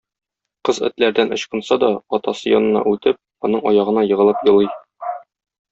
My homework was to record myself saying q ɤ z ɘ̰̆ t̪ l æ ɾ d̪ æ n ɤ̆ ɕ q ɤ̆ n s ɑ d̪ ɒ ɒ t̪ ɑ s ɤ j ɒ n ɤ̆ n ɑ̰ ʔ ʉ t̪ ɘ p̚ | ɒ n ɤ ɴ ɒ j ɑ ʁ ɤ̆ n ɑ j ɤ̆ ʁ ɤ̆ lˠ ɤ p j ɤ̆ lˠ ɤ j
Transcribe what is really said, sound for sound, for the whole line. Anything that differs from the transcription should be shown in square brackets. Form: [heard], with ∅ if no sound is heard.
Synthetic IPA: q ɤ z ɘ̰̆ t̪ l æ ɾ d̪ æ n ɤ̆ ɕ q ɤ̆ n s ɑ d̪ ɒ ɒ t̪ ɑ s ɤ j ɒ n ɤ̆ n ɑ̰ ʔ ʉ t̪ ɘ p̚ | ɒ n ɤ ɴ ɒ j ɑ ʁ ɤ̆ n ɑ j ɤ̆ ʁ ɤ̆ lˠ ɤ p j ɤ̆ lˠ ɤ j